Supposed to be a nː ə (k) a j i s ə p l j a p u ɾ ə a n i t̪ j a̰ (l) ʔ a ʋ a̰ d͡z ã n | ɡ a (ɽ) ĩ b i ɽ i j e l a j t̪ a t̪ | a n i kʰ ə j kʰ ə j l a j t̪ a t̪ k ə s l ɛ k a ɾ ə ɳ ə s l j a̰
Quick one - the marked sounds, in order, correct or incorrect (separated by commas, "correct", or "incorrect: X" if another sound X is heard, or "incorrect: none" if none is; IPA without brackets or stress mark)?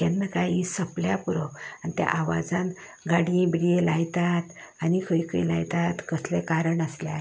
correct, incorrect: none, correct